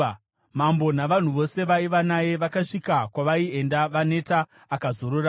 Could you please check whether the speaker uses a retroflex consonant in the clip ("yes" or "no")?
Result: yes